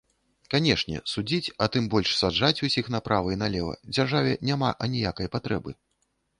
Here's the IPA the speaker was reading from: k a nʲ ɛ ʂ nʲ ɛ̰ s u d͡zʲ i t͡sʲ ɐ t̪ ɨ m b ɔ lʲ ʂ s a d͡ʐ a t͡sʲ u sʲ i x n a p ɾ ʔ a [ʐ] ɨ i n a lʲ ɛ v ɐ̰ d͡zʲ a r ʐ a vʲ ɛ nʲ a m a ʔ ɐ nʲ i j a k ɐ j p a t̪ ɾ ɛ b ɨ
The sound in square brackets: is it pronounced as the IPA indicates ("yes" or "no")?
no